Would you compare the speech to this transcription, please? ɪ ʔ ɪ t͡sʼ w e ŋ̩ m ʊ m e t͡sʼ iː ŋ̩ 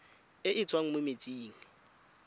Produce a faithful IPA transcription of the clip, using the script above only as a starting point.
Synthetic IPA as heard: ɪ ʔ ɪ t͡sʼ w a ŋ̩ m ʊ m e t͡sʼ iː ŋ̩